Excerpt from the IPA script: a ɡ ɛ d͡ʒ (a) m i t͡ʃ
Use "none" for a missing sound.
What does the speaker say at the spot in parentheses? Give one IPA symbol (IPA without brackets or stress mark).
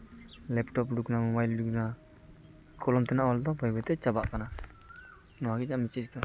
a